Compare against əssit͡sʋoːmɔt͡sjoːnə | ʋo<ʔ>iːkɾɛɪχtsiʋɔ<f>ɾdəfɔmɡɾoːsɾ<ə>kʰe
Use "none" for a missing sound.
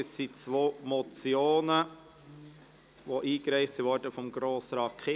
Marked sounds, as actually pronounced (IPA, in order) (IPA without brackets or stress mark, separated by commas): ʔ, none, ɑ